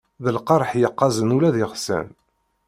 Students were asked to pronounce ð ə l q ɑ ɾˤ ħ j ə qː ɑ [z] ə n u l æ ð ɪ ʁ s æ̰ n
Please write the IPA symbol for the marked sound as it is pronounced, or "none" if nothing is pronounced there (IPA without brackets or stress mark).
z